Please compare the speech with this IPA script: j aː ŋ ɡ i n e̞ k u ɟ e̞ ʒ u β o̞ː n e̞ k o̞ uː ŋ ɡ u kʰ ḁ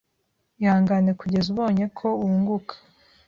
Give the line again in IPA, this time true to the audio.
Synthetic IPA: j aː ŋ ɡ a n e̞ k u ɟ e̞ z u β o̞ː ɲ e̞ kʰ o̞ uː ŋ ɡ u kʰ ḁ